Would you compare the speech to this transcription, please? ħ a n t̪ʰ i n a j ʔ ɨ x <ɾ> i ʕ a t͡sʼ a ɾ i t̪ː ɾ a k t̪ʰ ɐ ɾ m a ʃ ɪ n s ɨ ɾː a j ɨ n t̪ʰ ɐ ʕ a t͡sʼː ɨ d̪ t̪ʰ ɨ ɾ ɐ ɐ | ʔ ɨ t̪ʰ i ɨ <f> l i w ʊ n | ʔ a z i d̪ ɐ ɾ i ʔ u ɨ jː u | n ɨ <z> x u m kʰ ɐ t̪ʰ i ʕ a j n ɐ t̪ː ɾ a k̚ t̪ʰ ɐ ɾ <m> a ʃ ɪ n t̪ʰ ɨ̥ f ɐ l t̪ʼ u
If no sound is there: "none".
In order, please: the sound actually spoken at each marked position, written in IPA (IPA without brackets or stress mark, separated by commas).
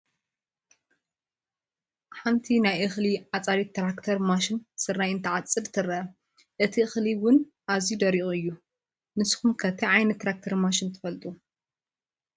l, x, s, m